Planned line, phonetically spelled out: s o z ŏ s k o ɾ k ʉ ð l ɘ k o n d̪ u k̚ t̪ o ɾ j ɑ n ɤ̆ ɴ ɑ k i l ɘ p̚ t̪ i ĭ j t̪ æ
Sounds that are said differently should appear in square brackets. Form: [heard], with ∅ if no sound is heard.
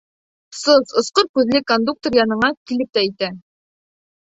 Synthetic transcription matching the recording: s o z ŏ s [q] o ɾ k ʉ ð l ɘ k o n d̪ u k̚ t̪ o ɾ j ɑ n ɤ̆ ɴ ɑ k i l ɘ p̚ t̪ [æ] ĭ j t̪ æ